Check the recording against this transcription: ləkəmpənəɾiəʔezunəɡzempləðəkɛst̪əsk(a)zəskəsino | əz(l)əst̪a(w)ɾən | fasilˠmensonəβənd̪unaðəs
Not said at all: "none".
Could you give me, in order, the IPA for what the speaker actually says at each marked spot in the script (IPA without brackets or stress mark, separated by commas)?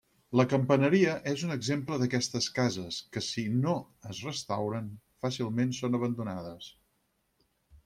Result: a, r, w